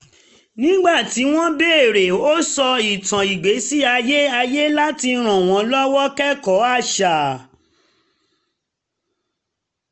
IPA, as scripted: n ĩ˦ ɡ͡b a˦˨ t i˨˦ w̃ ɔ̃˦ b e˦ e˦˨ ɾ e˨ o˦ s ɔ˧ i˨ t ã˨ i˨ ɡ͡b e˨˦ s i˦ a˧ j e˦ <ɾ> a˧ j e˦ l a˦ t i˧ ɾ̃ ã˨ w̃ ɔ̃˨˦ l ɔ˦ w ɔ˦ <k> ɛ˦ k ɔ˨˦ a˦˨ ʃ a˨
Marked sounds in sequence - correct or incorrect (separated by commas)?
incorrect, correct